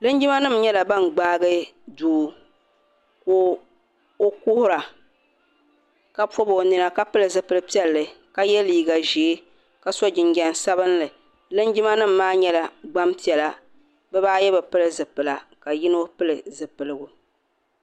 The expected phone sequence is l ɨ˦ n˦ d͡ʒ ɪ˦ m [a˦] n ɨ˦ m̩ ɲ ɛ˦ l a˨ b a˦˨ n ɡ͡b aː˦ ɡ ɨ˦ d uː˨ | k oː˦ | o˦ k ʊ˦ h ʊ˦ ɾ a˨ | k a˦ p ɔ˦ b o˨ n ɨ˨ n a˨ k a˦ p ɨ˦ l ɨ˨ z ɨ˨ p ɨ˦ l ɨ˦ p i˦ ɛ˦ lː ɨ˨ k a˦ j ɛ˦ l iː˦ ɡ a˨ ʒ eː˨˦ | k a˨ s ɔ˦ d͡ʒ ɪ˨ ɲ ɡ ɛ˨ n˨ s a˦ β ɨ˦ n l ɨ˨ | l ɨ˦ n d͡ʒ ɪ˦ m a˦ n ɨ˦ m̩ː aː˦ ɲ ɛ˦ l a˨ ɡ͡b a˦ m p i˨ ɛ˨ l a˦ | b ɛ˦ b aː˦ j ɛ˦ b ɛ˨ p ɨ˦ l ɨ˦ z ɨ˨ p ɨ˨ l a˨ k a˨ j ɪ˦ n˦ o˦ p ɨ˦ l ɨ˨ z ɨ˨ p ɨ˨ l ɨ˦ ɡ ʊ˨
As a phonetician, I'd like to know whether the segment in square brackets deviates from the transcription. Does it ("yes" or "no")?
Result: no